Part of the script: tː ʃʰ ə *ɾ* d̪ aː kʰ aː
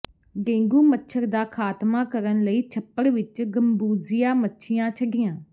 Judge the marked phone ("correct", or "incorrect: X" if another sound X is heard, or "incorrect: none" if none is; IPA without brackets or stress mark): correct